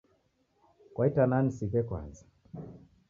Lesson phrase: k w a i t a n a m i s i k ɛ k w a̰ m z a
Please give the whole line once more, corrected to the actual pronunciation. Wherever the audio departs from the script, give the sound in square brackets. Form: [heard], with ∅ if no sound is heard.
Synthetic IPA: k w a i t a n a [n] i s i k ɛ k w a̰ [n] z a